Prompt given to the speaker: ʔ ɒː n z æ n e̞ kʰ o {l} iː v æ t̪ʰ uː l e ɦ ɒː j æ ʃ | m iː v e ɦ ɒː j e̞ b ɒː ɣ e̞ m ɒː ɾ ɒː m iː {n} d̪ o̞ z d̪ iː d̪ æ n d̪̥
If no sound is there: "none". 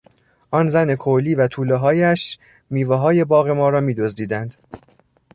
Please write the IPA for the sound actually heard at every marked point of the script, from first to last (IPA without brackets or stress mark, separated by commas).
l, none